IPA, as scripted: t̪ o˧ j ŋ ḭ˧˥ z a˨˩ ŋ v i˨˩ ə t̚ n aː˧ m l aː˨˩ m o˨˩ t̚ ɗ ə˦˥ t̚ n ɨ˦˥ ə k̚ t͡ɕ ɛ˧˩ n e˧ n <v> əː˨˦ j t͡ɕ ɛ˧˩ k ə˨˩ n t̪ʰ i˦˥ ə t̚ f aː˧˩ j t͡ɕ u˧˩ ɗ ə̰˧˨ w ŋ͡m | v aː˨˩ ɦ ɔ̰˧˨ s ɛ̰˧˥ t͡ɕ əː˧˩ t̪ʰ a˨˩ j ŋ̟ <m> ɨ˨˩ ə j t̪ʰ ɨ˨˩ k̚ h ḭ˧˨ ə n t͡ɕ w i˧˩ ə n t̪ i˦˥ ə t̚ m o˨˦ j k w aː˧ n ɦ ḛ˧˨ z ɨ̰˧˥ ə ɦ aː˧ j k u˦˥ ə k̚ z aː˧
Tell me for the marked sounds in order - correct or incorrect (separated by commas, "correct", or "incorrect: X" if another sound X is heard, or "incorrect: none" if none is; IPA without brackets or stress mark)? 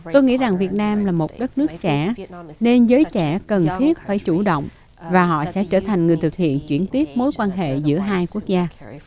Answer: incorrect: z, incorrect: ŋ